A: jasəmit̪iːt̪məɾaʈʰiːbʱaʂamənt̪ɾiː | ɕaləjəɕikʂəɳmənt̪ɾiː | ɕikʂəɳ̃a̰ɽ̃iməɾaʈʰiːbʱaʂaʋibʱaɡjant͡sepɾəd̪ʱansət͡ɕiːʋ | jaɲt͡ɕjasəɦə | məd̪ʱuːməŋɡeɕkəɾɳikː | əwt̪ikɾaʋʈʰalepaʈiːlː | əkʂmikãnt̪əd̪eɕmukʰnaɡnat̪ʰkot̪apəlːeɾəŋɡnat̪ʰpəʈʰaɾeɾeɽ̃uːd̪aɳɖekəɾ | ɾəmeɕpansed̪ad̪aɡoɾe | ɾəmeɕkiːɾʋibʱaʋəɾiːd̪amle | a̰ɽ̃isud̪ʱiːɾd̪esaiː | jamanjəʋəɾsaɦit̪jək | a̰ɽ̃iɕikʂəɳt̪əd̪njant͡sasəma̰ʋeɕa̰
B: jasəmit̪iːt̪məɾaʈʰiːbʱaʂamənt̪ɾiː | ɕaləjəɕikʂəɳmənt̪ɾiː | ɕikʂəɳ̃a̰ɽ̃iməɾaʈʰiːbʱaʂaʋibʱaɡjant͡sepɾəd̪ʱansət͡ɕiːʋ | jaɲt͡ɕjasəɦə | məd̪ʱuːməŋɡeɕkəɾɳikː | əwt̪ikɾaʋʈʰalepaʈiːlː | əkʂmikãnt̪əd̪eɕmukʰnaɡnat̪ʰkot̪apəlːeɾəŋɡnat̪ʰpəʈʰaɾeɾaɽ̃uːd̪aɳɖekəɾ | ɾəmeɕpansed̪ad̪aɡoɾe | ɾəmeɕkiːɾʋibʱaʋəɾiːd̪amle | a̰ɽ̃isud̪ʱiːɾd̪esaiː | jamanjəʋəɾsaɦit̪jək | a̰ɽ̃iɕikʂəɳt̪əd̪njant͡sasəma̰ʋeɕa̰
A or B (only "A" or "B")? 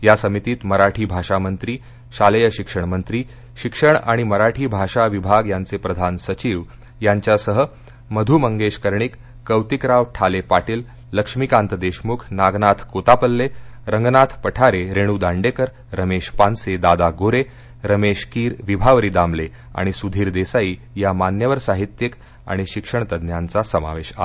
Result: A